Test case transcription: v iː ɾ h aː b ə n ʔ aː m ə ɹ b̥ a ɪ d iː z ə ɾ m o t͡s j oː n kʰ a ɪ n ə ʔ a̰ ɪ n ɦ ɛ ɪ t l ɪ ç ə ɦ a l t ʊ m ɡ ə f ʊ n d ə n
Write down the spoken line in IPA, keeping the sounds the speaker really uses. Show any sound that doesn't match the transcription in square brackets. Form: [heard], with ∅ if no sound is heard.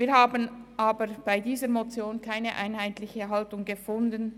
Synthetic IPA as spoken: v iː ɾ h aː b ə n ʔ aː [b] ə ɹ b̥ a ɪ d iː z ə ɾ m o t͡s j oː n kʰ a ɪ n ə ʔ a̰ ɪ n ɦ [a] ɪ t l ɪ ç ə ɦ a l t ʊ [ŋ] ɡ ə f ʊ n d ə n